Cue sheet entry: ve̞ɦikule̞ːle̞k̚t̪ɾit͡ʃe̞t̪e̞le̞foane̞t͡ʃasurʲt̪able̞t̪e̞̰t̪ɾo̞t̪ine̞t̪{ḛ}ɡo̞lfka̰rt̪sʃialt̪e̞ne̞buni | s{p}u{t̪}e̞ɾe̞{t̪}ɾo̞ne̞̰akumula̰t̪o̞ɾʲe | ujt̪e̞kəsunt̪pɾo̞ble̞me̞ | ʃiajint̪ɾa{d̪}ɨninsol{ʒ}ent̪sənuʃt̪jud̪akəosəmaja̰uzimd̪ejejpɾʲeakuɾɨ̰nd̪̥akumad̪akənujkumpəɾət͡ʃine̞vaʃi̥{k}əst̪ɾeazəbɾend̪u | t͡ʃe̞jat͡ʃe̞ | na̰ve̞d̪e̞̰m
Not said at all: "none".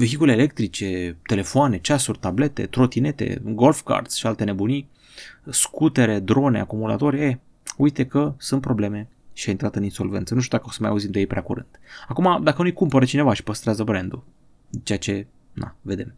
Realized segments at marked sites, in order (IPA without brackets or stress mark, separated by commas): ḛ, k, t̪, d̪, t̪, v, p